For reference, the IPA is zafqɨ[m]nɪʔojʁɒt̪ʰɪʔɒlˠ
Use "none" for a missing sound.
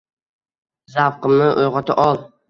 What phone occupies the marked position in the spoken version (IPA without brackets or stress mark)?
m